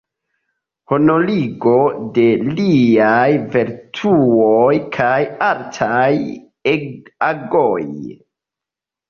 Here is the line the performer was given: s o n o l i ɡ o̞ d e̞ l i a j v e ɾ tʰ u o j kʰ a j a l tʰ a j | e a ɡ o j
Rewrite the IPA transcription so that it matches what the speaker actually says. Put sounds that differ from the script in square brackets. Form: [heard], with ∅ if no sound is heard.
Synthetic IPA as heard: [h] o n o l i ɡ o̞ d e̞ l i a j v e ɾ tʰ u o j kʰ a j a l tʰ a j | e a ɡ o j